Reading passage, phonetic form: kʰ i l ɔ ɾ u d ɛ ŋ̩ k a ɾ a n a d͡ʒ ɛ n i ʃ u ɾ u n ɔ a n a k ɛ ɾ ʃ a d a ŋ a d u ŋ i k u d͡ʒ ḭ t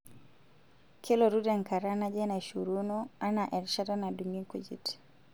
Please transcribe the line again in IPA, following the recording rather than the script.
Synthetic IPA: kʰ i l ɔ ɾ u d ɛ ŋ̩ k a ɾ a n a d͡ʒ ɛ n a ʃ u ɾ u n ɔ a n a ʔ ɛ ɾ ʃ a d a n a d u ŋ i k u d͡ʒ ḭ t